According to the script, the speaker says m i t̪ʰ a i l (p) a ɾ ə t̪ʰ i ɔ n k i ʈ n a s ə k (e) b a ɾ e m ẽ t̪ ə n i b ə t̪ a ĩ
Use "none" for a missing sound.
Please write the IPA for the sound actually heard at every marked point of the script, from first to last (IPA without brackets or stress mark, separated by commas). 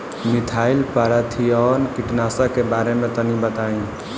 p, e